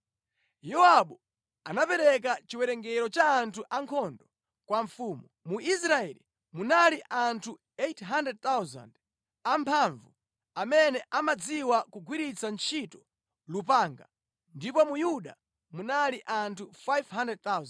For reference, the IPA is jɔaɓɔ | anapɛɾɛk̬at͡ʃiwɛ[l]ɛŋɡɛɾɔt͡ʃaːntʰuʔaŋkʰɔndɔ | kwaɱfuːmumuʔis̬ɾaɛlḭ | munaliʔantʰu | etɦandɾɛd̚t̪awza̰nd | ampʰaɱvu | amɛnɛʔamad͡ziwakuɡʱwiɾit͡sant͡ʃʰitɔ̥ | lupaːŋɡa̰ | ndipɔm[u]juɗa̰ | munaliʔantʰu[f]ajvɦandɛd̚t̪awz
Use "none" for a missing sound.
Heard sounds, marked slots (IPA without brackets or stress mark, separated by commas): ɾ, u, f